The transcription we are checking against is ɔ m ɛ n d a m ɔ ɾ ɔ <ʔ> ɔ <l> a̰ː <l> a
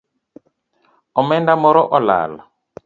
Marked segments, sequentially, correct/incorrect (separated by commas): correct, correct, correct